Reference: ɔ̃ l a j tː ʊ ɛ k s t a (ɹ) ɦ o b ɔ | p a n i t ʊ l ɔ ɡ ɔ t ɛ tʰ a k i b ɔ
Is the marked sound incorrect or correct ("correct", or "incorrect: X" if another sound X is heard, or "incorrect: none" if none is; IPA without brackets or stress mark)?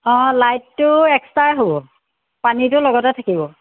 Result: correct